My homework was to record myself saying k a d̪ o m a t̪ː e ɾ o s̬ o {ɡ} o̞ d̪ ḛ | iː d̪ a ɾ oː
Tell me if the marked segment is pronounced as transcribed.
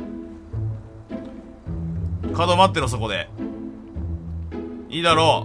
no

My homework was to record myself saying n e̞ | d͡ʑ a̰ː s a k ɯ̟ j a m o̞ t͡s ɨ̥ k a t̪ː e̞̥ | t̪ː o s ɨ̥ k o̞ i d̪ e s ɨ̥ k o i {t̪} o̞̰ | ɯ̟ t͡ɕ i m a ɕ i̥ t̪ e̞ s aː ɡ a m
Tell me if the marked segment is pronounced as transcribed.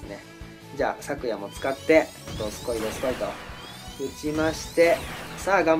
yes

